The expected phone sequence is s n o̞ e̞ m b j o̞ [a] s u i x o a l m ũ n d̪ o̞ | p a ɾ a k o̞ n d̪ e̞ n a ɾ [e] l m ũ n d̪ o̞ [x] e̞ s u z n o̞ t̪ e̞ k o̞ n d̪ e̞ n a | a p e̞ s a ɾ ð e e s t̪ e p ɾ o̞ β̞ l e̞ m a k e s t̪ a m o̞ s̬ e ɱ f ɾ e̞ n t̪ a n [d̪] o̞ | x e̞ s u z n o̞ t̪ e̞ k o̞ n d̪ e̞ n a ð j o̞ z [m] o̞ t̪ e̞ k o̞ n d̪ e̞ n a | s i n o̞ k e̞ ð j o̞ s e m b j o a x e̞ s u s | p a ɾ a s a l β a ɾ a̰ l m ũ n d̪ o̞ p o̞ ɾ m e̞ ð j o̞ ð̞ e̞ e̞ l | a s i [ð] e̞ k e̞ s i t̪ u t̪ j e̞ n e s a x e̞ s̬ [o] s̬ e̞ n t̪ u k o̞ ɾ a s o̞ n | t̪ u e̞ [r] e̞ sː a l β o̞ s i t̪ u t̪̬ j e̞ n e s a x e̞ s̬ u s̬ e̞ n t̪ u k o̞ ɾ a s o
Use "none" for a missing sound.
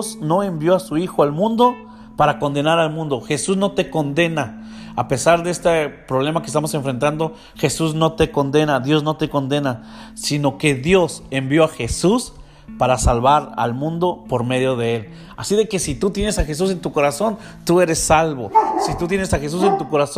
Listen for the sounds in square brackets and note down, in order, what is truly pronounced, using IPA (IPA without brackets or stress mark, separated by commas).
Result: a, a, x, d̪, n, ð, u, ɾ